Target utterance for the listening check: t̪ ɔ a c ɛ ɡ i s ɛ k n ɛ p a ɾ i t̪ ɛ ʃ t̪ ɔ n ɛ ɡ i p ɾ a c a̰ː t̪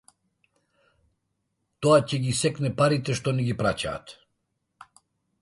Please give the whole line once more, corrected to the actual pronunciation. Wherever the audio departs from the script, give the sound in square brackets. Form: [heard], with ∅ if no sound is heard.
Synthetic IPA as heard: t̪ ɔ a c ɛ ɡ i s ɛ k n ɛ p a ɾ i t̪ ɛ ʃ t̪ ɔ n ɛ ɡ i p ɾ a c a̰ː t̪